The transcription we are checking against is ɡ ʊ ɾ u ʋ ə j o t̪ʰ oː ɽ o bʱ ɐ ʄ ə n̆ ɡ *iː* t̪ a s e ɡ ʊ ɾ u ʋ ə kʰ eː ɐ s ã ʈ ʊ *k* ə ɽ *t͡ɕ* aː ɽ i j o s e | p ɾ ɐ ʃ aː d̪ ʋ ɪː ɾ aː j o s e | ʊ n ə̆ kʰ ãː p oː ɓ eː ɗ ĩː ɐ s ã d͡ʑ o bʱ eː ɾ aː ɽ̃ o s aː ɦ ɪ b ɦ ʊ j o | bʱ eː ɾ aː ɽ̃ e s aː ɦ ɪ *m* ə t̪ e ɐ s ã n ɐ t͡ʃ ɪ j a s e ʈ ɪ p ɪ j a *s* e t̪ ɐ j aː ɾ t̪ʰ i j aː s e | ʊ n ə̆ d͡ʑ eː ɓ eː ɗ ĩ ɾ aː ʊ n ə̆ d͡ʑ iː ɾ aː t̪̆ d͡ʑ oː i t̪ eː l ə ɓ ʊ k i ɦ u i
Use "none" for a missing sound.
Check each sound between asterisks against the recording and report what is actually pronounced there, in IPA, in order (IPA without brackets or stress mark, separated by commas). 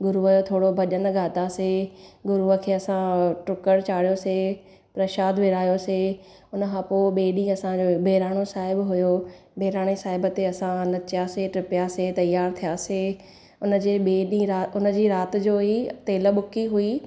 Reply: aː, k, t͡ɕ, b, s